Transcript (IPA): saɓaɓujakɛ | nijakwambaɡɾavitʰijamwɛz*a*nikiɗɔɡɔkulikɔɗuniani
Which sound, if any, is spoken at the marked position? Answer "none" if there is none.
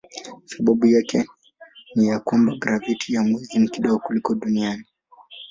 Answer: i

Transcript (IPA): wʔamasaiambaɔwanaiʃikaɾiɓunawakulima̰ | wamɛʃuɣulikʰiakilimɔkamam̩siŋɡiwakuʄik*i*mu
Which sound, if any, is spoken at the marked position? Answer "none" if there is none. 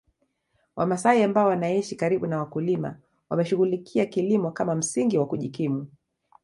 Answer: i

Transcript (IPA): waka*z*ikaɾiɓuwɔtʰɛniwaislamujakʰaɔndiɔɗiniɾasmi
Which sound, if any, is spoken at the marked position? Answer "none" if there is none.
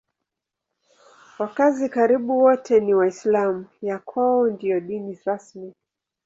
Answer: z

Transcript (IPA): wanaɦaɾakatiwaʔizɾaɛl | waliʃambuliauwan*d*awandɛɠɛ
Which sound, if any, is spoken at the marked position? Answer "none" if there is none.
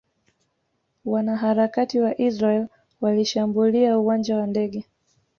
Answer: d͡ʒ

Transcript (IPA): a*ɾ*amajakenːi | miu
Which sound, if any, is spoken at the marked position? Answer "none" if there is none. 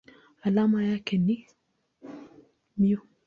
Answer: l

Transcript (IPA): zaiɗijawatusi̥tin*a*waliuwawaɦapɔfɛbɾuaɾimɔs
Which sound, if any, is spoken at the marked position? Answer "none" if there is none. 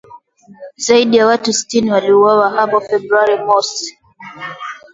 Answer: i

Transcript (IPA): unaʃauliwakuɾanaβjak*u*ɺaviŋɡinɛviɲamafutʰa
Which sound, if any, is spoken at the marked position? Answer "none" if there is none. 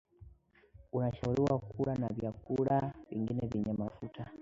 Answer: u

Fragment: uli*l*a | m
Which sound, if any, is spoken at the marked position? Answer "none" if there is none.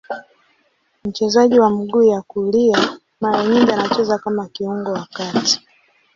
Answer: none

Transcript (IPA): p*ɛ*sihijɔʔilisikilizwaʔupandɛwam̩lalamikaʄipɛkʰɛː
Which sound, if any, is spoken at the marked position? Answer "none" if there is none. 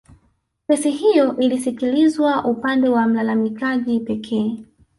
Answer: ɛ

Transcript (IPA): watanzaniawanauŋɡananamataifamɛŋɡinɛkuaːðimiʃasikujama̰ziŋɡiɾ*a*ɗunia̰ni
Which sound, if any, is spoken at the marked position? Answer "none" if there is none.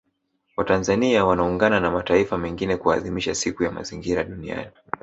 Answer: a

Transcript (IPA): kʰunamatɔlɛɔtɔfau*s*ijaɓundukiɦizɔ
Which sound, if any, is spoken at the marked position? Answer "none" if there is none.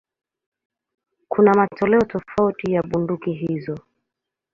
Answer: t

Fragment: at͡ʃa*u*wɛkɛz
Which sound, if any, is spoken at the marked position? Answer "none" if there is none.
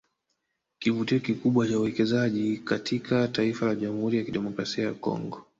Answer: u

